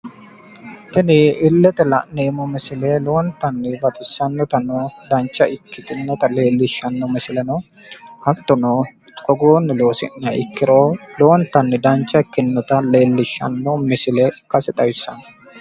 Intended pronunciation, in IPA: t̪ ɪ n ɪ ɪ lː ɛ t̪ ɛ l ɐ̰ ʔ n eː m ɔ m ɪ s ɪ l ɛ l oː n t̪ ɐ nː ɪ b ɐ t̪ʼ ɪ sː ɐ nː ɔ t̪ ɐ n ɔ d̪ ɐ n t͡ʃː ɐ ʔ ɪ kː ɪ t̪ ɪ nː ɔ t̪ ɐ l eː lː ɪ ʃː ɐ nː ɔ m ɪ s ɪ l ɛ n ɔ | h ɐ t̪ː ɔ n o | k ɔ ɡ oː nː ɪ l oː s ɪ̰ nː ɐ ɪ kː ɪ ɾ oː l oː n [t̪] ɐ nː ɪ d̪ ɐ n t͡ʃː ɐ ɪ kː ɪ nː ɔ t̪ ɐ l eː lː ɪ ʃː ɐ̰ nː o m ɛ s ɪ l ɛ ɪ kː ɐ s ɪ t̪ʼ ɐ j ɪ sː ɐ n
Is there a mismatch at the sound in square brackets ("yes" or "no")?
no